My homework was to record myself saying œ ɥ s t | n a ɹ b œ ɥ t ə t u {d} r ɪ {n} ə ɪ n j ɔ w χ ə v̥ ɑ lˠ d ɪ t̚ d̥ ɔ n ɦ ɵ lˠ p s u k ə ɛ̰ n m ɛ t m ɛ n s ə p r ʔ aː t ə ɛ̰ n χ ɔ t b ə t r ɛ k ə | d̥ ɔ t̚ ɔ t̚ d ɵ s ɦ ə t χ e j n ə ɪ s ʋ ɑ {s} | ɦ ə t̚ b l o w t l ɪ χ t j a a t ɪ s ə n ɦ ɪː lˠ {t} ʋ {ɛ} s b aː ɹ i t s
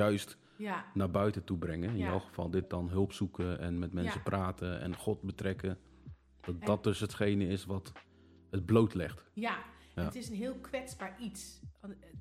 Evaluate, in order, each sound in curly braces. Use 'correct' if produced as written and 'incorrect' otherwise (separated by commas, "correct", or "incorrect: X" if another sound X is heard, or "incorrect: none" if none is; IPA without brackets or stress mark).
incorrect: b, incorrect: ŋ, incorrect: t, incorrect: k, correct